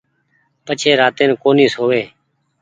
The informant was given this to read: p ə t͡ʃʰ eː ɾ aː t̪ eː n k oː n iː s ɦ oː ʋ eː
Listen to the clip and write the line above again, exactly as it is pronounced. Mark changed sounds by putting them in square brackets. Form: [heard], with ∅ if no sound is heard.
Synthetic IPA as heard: p ə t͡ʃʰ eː ɾ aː t̪ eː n k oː n iː s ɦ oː ʋ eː

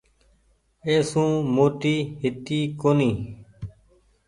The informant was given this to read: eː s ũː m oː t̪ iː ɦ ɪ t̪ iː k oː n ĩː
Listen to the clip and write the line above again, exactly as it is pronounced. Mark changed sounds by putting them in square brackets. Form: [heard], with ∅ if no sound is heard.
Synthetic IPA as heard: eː s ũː m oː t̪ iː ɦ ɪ t̪ iː k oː n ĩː

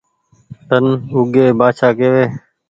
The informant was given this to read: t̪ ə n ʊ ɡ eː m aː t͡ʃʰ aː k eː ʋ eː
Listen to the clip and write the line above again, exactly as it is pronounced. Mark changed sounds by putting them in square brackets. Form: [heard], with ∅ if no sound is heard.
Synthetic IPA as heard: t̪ ə n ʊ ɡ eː [b] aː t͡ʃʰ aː k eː ʋ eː

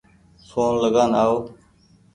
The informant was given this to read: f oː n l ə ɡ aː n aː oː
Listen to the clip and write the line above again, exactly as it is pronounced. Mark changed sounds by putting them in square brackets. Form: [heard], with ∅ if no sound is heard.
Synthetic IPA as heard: [s] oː n l ə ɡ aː n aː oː

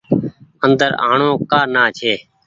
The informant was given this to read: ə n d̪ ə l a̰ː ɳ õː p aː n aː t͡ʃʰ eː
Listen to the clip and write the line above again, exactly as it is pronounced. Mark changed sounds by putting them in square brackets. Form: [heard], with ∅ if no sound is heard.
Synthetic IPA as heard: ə n d̪ ə [ɾ] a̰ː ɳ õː [k] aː n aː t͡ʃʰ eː

